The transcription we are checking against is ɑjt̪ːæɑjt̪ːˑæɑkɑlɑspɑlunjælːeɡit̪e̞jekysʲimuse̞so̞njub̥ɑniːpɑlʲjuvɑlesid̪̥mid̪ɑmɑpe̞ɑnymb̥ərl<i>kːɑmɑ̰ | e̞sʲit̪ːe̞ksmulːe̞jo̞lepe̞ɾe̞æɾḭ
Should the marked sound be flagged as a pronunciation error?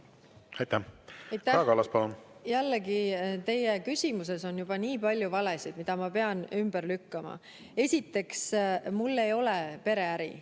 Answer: yes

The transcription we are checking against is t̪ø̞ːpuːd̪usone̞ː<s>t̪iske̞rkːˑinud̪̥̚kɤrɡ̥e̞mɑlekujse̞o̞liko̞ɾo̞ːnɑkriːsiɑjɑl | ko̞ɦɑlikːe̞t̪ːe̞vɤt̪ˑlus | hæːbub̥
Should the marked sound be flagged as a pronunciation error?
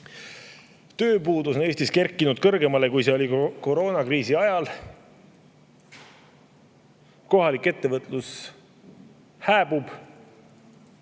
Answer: no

